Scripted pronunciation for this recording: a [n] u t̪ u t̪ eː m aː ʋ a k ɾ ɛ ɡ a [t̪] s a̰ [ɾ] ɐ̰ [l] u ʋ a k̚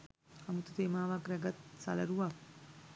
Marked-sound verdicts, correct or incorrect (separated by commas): incorrect, correct, incorrect, incorrect